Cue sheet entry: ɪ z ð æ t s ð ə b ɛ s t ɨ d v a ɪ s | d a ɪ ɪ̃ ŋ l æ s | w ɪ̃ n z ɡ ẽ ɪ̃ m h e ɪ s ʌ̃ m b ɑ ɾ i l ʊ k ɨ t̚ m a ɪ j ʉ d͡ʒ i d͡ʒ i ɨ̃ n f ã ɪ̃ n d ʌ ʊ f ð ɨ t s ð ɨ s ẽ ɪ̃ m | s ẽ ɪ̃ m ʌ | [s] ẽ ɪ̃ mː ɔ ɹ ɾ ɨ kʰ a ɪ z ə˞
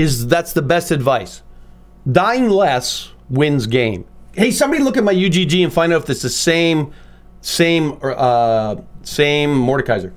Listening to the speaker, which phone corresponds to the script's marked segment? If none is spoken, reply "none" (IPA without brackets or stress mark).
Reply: s